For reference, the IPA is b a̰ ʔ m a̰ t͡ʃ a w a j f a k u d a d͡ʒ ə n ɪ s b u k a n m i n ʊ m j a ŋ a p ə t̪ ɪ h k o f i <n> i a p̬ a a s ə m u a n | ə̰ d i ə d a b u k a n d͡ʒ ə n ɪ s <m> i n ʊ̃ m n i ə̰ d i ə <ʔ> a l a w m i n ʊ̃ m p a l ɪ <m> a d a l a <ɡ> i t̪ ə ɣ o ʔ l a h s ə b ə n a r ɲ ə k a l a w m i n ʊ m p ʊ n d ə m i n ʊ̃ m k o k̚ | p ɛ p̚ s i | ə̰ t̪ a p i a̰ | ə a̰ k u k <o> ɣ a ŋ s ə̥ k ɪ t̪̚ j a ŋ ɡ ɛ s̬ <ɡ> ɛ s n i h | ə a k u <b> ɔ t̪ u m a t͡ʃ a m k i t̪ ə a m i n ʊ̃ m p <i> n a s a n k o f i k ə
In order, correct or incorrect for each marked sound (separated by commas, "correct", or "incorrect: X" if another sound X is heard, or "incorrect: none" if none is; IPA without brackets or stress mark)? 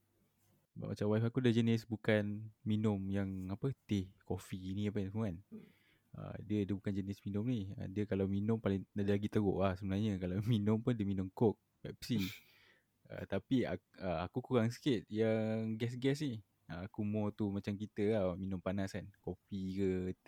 correct, correct, incorrect: k, incorrect: ŋ, correct, incorrect: u, correct, incorrect: m, incorrect: a